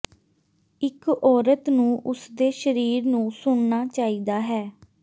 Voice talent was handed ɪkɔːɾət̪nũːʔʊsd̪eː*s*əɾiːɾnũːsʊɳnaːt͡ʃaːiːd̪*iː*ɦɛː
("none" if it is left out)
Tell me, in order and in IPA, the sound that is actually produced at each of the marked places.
ʃ, aː

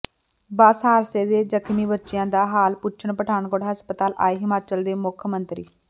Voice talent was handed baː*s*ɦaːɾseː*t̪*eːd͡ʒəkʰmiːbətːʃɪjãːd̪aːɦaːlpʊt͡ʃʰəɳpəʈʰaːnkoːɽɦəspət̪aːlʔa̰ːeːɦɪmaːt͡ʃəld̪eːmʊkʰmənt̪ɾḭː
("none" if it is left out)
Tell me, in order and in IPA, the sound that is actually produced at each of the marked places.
s, d̪

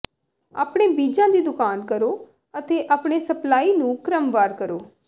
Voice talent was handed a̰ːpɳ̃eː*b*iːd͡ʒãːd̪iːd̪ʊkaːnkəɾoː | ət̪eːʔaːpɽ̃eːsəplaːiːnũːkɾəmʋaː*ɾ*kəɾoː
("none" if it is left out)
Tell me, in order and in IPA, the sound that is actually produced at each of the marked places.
b, ɾ

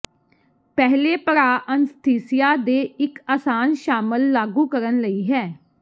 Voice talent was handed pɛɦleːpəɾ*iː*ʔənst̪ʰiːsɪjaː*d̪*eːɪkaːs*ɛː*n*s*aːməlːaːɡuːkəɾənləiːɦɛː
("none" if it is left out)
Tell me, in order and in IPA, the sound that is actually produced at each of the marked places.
aː, d̪, aː, ʃ

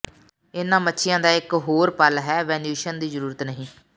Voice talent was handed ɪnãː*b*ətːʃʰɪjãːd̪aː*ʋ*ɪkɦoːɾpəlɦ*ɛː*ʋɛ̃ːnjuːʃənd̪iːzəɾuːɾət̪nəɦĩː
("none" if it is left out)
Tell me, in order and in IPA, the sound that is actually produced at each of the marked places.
m, none, ɛː

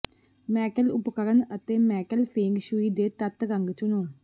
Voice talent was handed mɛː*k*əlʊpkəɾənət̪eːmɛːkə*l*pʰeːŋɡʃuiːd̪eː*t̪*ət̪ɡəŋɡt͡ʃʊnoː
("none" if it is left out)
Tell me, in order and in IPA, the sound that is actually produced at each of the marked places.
k, l, t̪

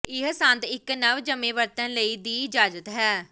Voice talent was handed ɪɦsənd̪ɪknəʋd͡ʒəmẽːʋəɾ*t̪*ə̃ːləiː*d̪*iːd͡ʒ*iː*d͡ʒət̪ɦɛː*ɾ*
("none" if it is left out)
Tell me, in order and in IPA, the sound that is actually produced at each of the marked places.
t̪, d̪, aː, none

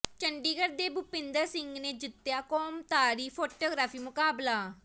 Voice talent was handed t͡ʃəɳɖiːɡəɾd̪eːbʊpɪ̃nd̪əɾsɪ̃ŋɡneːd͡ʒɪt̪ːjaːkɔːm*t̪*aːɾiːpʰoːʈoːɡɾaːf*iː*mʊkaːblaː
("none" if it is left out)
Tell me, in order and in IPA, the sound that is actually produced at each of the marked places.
t̪, iː

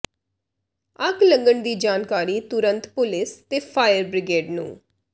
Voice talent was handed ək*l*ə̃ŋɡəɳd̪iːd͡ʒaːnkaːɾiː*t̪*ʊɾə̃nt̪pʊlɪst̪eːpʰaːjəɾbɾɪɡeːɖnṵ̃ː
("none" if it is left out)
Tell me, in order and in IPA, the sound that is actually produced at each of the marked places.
l, t̪

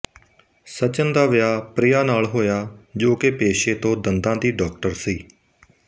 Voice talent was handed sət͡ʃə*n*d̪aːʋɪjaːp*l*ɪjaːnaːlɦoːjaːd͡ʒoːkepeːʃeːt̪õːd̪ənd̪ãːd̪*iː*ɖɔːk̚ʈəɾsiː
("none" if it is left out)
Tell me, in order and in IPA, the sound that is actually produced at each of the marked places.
n, ɾ, iː

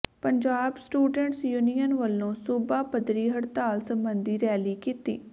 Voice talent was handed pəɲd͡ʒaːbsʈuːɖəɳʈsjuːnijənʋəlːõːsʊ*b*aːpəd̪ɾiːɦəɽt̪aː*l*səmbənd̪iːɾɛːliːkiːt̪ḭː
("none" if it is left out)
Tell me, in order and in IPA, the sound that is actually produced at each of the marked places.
b, l

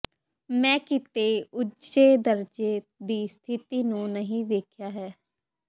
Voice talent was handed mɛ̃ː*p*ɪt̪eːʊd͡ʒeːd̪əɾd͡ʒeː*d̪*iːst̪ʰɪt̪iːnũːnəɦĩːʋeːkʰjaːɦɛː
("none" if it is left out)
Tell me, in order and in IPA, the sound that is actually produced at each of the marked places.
k, d̪

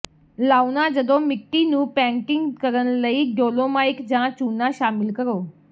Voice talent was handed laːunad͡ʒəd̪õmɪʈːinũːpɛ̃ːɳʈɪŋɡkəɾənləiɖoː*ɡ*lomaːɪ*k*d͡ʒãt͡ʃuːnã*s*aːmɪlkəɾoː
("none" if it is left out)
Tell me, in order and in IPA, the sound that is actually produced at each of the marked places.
none, k, ʃ

